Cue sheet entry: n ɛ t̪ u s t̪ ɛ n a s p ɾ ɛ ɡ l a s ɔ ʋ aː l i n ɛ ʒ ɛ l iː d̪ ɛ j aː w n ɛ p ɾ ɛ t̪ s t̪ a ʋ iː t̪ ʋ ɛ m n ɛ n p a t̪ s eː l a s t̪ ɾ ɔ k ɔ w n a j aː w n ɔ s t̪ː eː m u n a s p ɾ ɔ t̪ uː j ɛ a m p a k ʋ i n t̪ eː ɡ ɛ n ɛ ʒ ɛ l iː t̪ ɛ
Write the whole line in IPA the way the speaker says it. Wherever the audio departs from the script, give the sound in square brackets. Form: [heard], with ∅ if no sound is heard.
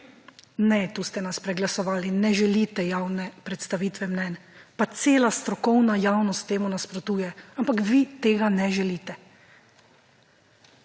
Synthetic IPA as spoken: n ɛ t̪ u s t̪ ɛ n a s p ɾ ɛ ɡ l a s ɔ ʋ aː l i n ɛ ʒ ɛ l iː [t̪] ɛ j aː w n ɛ p ɾ ɛ t̪ s t̪ a ʋ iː t̪ ʋ ɛ m n ɛ n p a t̪ s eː l a s t̪ ɾ ɔ k ɔ w n a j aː w n ɔ s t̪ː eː m u n a s p ɾ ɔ t̪ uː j ɛ a m p a k ʋ i [∅] t̪ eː ɡ [a] n ɛ ʒ ɛ l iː t̪ ɛ